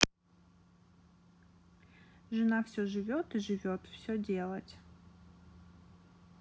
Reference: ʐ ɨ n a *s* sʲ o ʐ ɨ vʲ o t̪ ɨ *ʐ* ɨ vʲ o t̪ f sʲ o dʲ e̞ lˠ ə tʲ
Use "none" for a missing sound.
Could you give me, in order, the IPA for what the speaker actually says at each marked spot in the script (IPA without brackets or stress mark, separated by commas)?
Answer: f, ʐ